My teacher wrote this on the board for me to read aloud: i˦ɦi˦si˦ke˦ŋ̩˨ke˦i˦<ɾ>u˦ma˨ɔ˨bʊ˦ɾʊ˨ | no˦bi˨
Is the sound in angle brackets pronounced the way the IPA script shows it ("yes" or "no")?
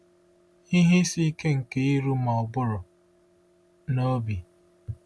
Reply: yes